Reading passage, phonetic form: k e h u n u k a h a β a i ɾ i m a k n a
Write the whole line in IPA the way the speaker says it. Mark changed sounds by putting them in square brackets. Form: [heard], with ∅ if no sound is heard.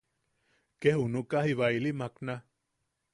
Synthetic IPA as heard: k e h u n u k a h [i] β a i [l] i m a k n a